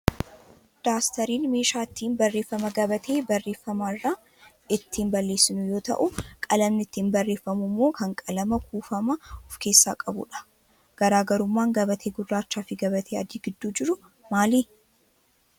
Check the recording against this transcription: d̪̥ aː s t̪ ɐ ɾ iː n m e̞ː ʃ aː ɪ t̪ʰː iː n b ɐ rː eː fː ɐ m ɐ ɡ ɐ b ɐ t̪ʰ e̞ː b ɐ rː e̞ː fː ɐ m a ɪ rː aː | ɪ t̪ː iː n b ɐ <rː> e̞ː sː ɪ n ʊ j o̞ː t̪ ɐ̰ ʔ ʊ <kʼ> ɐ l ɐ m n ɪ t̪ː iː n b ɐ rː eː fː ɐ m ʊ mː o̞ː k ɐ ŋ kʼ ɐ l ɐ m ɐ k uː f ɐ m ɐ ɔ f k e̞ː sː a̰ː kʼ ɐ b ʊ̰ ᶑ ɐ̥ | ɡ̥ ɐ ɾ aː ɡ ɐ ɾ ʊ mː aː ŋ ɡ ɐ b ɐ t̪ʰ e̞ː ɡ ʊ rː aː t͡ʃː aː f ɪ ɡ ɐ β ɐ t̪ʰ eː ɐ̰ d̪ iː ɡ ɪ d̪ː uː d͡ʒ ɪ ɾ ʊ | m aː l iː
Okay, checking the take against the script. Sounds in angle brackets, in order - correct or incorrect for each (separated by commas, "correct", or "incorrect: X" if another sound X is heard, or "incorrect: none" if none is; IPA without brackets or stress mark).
incorrect: lː, correct